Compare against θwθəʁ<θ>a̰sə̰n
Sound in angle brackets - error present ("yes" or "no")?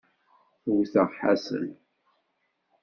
yes